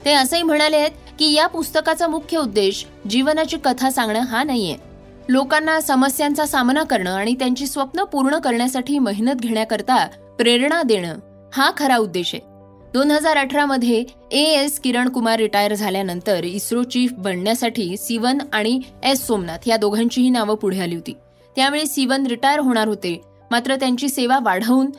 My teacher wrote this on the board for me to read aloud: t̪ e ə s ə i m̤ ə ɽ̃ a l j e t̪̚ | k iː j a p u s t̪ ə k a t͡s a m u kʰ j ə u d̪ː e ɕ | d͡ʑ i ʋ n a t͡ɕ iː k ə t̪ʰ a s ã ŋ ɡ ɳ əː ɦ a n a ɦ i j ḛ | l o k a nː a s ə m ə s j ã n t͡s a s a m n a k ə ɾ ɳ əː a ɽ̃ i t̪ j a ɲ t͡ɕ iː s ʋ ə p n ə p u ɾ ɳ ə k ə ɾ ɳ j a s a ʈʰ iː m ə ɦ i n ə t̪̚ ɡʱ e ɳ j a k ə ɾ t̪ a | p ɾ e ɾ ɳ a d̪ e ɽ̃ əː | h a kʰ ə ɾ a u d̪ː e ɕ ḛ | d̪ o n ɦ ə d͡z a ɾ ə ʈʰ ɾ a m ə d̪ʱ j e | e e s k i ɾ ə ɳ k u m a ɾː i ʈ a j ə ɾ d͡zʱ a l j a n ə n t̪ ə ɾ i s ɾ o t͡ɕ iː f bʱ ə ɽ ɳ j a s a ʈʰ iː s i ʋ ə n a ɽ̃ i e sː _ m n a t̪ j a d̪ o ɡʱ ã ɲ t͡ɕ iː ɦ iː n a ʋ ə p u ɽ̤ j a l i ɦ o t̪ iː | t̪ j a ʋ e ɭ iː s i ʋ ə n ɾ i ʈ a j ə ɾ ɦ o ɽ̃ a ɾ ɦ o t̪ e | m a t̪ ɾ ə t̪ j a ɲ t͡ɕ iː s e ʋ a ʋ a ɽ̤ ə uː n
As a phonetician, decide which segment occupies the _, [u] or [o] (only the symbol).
o